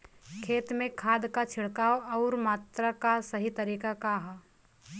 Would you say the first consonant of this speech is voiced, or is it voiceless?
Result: voiceless